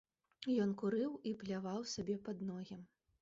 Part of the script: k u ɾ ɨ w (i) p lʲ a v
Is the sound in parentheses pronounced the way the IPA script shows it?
yes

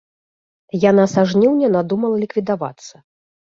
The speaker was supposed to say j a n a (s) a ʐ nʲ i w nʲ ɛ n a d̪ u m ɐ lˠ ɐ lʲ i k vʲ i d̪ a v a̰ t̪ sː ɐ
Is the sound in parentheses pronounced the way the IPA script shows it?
yes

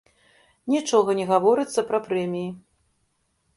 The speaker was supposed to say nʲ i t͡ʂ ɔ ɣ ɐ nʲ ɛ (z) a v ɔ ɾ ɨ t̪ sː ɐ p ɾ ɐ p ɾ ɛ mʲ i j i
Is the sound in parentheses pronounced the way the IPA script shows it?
no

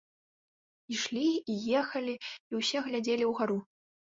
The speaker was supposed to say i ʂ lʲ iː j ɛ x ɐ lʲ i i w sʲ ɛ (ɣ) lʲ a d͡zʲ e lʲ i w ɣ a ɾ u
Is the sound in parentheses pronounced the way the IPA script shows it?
yes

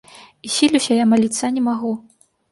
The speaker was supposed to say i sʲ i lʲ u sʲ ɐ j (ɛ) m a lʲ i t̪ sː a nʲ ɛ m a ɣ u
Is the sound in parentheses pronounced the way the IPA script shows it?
no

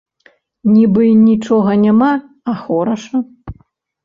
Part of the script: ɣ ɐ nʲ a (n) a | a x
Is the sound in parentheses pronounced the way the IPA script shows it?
no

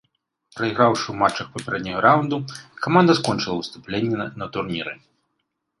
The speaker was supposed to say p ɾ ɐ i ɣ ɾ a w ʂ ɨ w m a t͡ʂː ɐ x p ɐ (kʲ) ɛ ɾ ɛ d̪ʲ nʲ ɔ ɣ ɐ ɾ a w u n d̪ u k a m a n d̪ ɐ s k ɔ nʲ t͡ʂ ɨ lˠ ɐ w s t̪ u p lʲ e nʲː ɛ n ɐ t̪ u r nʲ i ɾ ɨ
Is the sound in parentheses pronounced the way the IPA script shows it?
no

